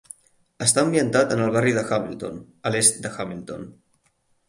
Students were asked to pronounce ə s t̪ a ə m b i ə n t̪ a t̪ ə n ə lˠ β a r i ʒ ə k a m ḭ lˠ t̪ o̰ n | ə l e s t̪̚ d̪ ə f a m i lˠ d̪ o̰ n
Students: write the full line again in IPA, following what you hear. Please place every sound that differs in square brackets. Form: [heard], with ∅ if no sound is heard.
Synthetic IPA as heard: ə s t̪ a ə m b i ə n t̪ a t̪ ə n ə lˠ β a r i [ð] ə [x] a m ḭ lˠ t̪ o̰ n | ə l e s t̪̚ d̪ ə [x] a m i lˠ [t̪] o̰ n